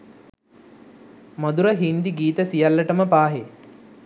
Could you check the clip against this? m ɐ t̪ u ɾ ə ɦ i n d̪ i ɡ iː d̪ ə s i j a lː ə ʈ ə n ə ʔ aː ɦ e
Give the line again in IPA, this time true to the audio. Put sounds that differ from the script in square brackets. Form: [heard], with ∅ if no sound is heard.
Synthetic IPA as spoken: m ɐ [d̪] u ɾ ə ɦ i n d̪ i ɡ iː [t̪] ə s i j a lː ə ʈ ə [m] ə [p] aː ɦ e